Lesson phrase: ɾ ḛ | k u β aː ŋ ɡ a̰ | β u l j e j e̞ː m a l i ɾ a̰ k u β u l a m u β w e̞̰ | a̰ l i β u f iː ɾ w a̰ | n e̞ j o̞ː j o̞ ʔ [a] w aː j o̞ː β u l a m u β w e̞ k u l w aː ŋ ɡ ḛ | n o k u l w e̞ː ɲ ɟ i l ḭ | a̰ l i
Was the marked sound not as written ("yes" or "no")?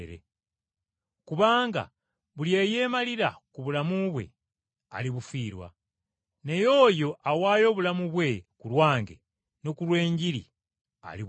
no